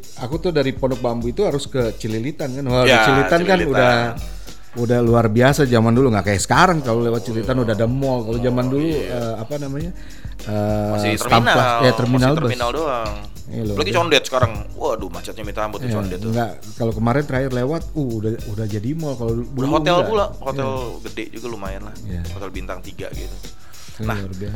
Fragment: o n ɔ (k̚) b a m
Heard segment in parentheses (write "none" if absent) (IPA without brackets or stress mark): k̚